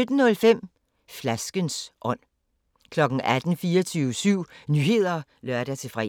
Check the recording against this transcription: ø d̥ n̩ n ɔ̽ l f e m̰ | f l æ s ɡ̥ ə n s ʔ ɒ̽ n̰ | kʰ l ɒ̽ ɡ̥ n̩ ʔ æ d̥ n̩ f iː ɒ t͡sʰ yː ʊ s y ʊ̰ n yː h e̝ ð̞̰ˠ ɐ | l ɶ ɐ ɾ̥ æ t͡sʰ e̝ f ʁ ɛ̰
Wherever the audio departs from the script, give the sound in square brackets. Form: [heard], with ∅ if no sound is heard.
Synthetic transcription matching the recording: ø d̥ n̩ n ɔ̽ l f e m̰ | f l æ s ɡ̥ ə n s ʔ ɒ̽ n̰ | kʰ l ɒ̽ ɡ̥ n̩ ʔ æ d̥ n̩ f iː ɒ t͡sʰ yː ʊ s y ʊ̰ n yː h e̝ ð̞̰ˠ ɐ | l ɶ ɐ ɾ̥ æ t͡sʰ e̝ f ʁ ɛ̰

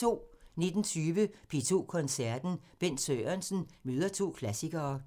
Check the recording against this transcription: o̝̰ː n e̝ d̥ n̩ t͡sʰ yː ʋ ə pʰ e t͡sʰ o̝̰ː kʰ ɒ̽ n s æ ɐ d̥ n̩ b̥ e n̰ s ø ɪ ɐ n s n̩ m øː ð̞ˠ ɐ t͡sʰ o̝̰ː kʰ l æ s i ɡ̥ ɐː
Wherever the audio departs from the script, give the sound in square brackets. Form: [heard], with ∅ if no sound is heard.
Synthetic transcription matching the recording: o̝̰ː n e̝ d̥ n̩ t͡sʰ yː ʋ ə pʰ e t͡sʰ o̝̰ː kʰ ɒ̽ n s æ ɐ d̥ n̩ b̥ e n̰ s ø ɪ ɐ n s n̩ m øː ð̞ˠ ɐ t͡sʰ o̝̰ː kʰ l æ s i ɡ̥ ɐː

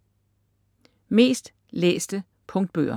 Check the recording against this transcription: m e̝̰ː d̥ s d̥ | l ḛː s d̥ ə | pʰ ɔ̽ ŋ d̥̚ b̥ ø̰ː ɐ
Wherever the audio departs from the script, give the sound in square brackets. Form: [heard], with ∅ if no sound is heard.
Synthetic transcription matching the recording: m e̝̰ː [∅] s d̥ | l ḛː s d̥ ə | pʰ ɔ̽ ŋ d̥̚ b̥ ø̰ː ɐ

